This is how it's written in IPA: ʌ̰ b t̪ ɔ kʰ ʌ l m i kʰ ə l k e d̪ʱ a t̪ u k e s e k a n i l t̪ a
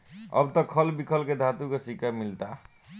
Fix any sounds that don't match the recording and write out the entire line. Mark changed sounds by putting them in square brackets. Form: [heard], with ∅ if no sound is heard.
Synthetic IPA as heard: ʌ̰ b t̪ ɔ kʰ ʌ l [b] i kʰ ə l k e d̪ʱ a t̪ u k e s [i] k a [m] i l t̪ a